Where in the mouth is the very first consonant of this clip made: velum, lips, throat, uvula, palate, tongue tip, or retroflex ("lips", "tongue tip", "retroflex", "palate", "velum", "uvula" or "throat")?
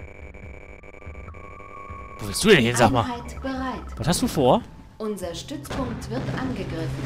lips